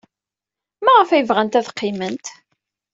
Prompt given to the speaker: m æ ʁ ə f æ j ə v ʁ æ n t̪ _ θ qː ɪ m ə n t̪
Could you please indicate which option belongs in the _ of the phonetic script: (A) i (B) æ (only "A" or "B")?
B